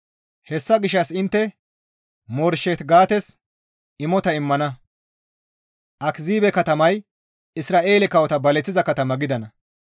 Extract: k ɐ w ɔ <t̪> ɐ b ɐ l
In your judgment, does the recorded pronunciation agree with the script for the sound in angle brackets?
yes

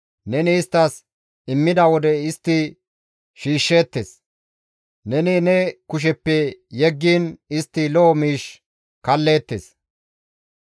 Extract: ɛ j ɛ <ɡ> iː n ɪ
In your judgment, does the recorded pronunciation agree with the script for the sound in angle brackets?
no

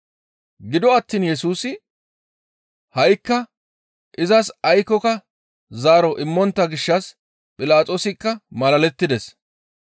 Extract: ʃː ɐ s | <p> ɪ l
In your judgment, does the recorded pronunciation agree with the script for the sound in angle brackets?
no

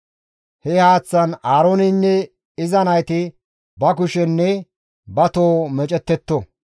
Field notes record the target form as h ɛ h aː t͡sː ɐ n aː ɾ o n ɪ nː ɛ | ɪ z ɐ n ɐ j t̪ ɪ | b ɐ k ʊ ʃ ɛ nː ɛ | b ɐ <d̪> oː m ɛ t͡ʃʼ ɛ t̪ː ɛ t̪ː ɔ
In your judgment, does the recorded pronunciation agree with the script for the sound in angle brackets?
no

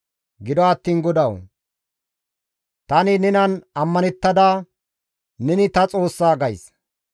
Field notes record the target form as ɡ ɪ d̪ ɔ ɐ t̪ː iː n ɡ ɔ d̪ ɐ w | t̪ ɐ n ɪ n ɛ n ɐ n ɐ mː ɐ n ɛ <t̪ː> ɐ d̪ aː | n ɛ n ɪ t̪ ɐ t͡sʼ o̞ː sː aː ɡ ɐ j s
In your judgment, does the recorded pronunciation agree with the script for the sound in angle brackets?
yes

